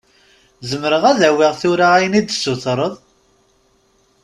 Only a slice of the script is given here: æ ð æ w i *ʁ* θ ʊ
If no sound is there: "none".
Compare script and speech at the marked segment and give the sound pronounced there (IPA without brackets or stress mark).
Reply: ʁ